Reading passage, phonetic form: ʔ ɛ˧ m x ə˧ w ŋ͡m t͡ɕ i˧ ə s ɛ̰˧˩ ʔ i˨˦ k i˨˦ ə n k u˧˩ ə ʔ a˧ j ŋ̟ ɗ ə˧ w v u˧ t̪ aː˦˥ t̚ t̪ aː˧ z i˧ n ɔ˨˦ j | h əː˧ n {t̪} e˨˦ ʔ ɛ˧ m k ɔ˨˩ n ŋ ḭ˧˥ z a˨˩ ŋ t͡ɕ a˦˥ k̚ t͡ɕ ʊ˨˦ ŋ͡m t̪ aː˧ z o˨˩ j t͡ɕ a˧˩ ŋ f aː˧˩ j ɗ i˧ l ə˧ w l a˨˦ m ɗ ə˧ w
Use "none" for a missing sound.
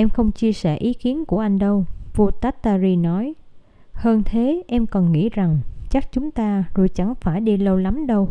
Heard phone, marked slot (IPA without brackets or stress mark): t̪ʰ